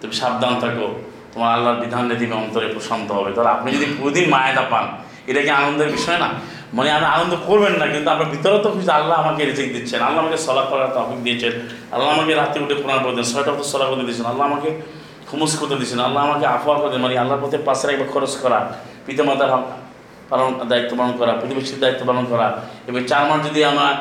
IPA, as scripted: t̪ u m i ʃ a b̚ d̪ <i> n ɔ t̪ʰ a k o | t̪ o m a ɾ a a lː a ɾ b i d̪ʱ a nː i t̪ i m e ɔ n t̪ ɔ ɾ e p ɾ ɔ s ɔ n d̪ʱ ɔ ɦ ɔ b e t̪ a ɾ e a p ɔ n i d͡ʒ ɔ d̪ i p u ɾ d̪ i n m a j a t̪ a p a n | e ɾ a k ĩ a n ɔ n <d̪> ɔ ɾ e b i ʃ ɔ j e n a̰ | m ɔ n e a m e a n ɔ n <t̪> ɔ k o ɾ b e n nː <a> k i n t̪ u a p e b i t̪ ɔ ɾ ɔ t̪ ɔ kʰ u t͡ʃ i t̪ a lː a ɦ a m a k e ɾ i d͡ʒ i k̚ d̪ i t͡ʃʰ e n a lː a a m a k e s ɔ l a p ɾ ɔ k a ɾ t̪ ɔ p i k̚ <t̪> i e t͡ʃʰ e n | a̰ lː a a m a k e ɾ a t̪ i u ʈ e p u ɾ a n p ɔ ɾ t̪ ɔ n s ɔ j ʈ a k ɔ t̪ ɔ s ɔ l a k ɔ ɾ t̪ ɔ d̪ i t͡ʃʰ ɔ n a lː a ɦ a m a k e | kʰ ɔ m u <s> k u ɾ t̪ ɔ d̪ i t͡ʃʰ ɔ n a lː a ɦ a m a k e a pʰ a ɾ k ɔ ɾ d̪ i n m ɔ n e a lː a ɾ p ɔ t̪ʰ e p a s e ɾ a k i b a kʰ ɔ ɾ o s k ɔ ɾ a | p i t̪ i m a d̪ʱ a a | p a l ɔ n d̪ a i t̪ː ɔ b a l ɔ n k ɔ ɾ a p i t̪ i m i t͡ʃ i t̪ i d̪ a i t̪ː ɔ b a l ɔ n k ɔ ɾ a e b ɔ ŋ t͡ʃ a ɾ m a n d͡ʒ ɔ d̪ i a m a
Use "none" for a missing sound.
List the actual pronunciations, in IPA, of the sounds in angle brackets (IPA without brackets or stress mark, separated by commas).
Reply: a, d̪, d̪, a, d̪, s